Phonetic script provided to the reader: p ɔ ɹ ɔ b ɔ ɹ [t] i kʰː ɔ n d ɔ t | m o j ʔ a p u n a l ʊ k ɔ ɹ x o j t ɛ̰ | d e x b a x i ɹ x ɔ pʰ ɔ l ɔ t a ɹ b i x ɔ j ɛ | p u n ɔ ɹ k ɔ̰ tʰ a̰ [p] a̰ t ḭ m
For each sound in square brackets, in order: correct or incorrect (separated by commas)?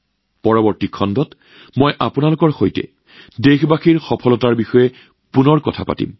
correct, correct